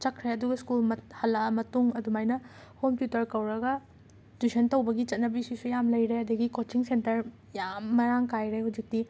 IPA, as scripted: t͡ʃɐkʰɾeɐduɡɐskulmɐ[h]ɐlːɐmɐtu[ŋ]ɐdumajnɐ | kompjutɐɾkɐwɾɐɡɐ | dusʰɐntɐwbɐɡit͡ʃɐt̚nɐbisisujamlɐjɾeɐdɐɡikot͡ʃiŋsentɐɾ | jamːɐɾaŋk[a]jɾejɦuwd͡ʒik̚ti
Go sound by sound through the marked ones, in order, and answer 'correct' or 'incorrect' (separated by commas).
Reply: correct, correct, correct